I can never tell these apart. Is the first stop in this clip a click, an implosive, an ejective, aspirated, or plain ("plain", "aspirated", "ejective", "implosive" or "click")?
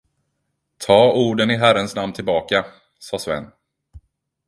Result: aspirated